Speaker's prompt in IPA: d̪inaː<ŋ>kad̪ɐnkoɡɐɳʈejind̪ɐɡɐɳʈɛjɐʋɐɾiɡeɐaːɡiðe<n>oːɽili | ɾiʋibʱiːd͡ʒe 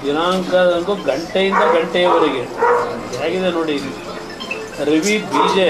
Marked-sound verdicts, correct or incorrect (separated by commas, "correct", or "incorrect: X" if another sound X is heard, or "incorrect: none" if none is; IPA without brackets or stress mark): correct, correct